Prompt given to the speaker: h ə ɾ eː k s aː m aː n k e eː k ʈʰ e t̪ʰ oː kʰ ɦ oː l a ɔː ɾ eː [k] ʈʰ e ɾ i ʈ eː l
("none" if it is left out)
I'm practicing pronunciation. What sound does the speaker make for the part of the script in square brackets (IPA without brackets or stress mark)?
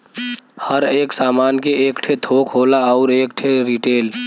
k